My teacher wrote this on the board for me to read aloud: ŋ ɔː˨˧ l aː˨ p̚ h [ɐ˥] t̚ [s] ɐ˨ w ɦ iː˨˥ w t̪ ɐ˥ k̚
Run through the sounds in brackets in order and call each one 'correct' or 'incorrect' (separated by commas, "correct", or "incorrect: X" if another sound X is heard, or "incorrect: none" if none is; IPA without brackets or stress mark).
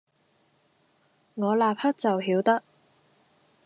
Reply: correct, incorrect: t͡s